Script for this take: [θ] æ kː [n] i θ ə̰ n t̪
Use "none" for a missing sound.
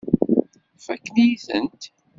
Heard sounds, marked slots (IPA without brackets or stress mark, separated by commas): f, n